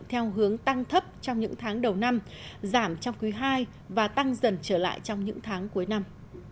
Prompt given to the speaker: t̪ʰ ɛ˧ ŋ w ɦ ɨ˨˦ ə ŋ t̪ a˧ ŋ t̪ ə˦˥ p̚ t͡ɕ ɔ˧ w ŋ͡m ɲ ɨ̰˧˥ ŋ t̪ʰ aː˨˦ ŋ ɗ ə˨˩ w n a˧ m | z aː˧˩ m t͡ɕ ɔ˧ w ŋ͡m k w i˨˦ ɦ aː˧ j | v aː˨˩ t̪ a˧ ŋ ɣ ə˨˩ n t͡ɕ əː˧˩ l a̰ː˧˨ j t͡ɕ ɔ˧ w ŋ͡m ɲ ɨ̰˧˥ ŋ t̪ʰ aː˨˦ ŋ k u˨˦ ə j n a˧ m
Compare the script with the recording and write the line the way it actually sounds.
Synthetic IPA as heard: t̪ʰ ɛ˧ w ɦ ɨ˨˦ ə ŋ t̪ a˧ ŋ t̪ʰ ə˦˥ p̚ t͡ɕ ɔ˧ w ŋ͡m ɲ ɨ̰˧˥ ŋ t̪ʰ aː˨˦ ŋ ɗ ə˨˩ w n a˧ m | z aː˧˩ m t͡ɕ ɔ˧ w ŋ͡m k w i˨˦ ɦ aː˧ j | v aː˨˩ t̪ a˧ ŋ z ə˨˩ n t͡ɕ əː˧˩ l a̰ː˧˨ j t͡ɕ ɔ˧ w ŋ͡m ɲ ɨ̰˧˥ ŋ t̪ʰ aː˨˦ ŋ k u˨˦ ə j n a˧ m